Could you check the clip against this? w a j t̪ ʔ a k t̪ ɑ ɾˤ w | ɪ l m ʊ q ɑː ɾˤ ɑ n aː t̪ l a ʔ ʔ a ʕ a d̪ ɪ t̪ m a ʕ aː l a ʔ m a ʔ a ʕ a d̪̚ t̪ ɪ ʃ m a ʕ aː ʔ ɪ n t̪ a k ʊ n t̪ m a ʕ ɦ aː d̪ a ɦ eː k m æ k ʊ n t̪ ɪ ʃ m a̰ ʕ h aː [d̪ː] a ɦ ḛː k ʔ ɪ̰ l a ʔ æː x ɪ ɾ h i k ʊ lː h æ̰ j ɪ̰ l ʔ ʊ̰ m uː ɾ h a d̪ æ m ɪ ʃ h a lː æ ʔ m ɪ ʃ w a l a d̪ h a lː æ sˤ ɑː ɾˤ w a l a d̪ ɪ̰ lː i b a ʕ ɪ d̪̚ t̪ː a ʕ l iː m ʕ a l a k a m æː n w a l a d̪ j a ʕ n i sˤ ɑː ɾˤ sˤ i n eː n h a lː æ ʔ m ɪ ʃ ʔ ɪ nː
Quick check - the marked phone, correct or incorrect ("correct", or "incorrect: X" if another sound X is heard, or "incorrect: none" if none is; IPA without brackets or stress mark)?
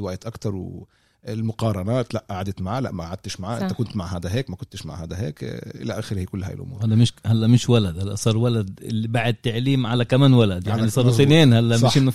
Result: incorrect: d̪